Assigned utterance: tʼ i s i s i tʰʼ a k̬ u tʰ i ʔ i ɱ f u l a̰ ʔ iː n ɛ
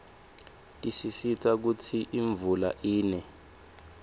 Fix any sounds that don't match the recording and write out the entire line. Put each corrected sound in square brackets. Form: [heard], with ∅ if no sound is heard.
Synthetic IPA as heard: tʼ i s i s i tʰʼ a k̬ u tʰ i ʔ i ɱ [v] u l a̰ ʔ iː n ɛ